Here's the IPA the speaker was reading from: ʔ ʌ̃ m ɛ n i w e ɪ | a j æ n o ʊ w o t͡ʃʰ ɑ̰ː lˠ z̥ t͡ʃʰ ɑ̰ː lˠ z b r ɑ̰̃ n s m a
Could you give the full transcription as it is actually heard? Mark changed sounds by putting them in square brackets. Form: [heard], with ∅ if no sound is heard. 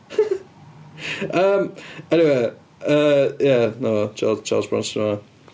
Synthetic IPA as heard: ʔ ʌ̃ m ɛ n i w e ɪ | [ʌ] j æ n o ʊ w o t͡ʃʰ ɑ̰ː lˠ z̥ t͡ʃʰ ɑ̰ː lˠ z b [ɹ] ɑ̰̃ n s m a